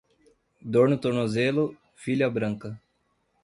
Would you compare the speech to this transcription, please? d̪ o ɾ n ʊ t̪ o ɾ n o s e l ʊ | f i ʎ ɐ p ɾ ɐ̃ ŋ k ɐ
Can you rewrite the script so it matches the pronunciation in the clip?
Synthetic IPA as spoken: d̪ o ɾ n ʊ t̪ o ɾ n o z e l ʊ | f i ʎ ɐ b ɾ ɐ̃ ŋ k ɐ